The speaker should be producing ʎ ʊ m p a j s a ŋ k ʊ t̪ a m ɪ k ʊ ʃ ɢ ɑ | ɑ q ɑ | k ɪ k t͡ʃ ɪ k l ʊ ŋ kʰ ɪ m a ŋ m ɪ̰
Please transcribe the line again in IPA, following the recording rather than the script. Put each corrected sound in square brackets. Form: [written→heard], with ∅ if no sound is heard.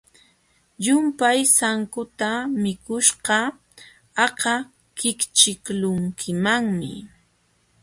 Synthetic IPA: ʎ ʊ m p a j s a ŋ k ʊ t̪ a m ɪ k ʊ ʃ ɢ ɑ | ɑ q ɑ | k ɪ k t͡ʃ ɪ k l ʊ ŋ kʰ ɪ m a ŋ m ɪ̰